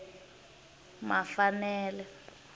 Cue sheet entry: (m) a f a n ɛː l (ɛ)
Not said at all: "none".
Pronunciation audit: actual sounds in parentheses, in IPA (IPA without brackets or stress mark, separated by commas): m, ɛ